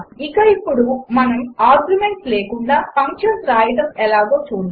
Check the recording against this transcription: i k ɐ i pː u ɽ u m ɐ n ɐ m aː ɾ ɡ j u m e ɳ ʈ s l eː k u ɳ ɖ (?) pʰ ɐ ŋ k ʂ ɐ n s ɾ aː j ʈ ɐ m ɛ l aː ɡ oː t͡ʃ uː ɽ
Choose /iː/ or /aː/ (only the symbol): aː